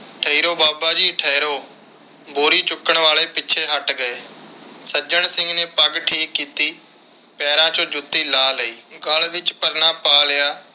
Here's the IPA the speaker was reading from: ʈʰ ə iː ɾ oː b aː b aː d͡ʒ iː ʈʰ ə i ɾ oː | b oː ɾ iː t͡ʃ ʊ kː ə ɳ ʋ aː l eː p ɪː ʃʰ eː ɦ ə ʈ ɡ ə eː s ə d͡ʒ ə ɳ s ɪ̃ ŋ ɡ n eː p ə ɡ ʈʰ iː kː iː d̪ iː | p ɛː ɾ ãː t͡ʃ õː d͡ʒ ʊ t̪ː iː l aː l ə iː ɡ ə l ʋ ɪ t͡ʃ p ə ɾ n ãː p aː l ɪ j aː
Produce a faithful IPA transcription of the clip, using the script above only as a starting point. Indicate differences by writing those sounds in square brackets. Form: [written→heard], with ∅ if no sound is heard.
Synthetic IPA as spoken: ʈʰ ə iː ɾ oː b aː b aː d͡ʒ iː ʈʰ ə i ɾ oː | b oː ɾ iː t͡ʃ ʊ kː ə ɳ ʋ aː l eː p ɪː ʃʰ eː ɦ ə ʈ ɡ ə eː s ə d͡ʒ ə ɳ s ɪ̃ ŋ ɡ n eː p ə ɡ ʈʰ iː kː iː [d̪→t̪] iː | p ɛː ɾ ãː t͡ʃ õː d͡ʒ ʊ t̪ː iː l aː l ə iː ɡ ə l ʋ ɪ t͡ʃ p ə ɾ n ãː p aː l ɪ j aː

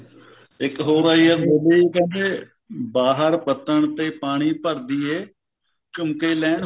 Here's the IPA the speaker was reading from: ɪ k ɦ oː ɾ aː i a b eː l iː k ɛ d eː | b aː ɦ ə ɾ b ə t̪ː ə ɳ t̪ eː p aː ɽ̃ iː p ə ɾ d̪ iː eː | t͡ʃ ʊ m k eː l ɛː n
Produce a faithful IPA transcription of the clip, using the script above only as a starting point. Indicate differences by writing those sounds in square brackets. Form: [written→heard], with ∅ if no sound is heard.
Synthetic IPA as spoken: ɪ k ɦ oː ɾ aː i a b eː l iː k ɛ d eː | b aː ɦ ə ɾ [b→p] ə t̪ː ə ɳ t̪ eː p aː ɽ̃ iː p ə ɾ d̪ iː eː | t͡ʃ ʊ m k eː l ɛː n

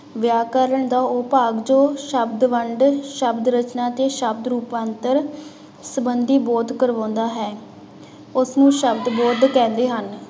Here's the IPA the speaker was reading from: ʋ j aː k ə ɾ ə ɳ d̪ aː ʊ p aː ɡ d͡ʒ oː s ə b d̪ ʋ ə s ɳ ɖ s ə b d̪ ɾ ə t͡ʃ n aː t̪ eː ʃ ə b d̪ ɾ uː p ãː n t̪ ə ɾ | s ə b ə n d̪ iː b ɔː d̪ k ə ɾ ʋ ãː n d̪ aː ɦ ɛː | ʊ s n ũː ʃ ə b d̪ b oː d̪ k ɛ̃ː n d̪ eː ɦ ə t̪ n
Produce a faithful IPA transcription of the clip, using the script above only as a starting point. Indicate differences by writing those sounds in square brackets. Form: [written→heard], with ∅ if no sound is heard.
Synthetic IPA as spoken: ʋ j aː k ə ɾ ə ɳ d̪ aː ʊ p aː ɡ d͡ʒ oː [s→ʃ] ə b d̪ ʋ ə [s→∅] ɳ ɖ [s→ʃ] ə b d̪ ɾ ə t͡ʃ n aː t̪ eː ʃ ə b d̪ ɾ uː p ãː n t̪ ə ɾ | s ə b ə n d̪ iː b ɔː d̪ k ə ɾ ʋ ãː n d̪ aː ɦ ɛː | ʊ s n ũː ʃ ə b d̪ b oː d̪ k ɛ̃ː n d̪ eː ɦ ə [t̪→∅] n

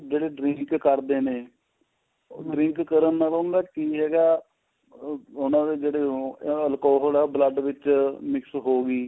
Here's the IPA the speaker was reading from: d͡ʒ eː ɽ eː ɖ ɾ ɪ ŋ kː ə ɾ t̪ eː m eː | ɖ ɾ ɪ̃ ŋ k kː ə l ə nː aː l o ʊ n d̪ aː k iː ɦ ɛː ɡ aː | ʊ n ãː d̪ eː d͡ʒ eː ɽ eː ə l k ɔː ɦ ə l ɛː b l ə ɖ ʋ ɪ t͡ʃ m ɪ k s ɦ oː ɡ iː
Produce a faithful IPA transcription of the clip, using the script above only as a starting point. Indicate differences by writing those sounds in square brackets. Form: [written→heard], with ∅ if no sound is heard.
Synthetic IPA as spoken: d͡ʒ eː ɽ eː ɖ ɾ ɪ ŋ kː ə ɾ [t̪→d̪] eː [m→n] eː | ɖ ɾ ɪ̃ ŋ k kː ə [l→ɾ] ə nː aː l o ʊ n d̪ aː k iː ɦ ɛː ɡ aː | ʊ n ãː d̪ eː d͡ʒ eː ɽ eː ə l k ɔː ɦ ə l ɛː b l ə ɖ ʋ ɪ t͡ʃ m ɪ k s ɦ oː ɡ iː

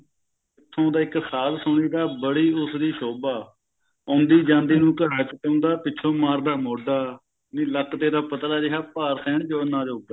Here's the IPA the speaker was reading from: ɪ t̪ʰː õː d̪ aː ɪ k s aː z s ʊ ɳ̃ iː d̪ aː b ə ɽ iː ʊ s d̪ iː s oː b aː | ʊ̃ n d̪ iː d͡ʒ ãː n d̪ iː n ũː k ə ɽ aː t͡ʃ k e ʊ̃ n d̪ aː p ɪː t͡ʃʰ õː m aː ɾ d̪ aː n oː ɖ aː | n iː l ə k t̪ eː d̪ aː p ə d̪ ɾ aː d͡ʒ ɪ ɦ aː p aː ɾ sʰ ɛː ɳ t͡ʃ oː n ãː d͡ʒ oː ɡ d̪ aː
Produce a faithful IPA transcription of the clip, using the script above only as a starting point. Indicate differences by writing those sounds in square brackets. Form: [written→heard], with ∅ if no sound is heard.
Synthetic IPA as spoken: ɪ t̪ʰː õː d̪ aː ɪ k s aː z s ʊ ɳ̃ iː d̪ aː b ə ɽ iː ʊ s d̪ iː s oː b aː | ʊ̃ n d̪ iː d͡ʒ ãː n d̪ iː n ũː k ə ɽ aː t͡ʃ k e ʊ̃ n d̪ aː p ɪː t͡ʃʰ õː m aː ɾ d̪ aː [n→m] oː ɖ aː | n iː l ə k t̪ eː d̪ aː p ə [d̪→t̪] ɾ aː d͡ʒ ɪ ɦ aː p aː ɾ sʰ ɛː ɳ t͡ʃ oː n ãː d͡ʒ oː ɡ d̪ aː

